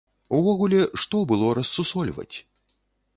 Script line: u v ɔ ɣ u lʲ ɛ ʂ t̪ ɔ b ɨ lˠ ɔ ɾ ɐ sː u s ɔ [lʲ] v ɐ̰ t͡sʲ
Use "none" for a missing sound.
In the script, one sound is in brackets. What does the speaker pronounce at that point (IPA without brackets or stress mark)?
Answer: lʲ